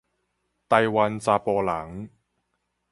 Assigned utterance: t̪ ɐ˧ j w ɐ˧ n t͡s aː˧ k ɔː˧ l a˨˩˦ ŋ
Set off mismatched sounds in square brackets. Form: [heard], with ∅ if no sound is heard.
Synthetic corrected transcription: t̪ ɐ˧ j w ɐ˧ n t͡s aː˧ [p] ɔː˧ l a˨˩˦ ŋ